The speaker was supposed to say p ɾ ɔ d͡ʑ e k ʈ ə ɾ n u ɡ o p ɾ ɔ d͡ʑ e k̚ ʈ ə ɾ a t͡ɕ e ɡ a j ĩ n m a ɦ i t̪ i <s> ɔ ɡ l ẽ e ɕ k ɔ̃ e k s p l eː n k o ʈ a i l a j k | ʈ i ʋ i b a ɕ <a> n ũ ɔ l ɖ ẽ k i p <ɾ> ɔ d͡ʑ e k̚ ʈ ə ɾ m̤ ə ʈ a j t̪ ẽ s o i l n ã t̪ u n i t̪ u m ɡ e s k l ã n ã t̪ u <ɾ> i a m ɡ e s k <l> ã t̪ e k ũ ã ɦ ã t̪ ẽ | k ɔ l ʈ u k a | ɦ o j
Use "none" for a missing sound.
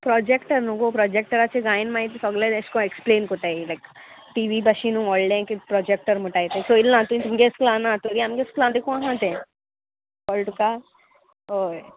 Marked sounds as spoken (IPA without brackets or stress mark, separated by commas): s, i, ɾ, ɾ, l